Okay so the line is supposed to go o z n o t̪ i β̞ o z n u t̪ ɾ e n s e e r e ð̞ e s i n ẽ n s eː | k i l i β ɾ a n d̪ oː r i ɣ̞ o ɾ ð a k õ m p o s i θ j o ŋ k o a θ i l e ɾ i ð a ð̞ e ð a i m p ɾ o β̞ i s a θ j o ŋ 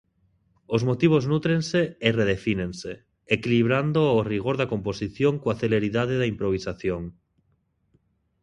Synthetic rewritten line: o z m o t̪ i β̞ o z n u t̪ ɾ e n s e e r e ð̞ e f i n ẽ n s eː | k i l i β ɾ a n d̪ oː r i ɣ̞ o ɾ ð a k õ m p o s i θ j o ŋ k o a θ e l e ɾ i ð a ð̞ e ð a i m p ɾ o β̞ i s a θ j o ŋ